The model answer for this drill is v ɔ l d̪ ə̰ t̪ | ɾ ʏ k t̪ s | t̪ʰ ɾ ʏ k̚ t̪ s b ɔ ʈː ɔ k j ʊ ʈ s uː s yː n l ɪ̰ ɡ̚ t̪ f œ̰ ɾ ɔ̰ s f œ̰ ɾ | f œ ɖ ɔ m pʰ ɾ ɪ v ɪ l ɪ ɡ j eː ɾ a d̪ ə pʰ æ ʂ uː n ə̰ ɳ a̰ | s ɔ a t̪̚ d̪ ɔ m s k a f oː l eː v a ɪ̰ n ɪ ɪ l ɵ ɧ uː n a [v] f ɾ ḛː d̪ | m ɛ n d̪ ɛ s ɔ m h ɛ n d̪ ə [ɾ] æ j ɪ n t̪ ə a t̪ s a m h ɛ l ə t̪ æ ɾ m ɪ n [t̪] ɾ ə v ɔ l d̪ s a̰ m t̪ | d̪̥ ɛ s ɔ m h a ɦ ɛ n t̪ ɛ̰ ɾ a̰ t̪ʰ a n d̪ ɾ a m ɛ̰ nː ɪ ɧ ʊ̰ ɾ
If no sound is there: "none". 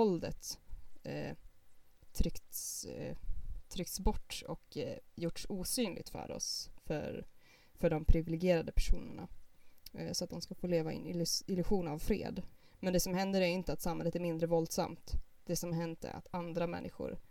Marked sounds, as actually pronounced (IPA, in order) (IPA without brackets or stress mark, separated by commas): v, ɾ, d̪